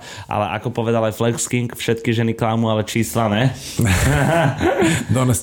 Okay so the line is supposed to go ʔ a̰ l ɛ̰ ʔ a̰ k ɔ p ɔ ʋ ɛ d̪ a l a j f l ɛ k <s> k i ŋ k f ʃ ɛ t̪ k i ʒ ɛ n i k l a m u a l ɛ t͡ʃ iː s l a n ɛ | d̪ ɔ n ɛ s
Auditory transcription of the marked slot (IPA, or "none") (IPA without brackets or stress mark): s